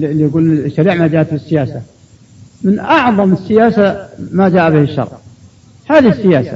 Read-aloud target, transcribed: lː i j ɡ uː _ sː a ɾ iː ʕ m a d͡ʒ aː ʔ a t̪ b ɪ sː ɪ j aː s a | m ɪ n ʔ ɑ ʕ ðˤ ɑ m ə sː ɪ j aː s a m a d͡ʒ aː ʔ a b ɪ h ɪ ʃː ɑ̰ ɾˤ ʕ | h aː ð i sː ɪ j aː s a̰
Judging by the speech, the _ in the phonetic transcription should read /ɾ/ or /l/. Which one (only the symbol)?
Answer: l